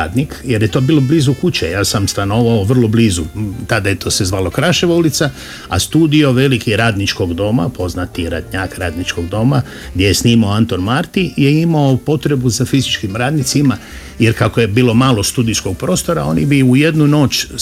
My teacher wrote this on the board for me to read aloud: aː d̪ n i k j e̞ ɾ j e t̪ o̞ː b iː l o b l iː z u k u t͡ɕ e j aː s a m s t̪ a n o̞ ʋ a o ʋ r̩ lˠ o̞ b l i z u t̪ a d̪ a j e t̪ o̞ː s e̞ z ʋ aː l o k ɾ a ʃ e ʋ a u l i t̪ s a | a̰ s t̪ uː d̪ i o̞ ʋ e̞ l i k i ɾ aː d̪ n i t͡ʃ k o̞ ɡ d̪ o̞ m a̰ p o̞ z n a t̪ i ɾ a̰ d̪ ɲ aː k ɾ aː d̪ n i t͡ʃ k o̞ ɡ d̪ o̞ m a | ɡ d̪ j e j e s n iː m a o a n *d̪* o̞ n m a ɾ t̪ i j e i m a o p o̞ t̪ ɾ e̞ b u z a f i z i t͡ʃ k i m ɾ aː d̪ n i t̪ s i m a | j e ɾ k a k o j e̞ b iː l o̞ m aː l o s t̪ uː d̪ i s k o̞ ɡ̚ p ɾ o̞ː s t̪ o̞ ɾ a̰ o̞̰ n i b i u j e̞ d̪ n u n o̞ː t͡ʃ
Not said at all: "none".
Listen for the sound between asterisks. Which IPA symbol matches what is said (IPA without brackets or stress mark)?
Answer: t̪